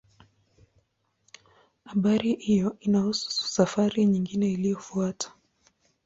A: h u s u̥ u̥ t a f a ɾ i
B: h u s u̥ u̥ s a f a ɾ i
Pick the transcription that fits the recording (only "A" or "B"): B